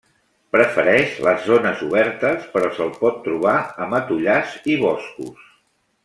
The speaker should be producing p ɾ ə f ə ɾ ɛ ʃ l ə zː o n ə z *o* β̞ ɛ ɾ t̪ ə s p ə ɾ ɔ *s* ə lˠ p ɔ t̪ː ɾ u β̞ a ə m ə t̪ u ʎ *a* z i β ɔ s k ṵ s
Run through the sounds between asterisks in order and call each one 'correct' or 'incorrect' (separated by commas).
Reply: incorrect, correct, correct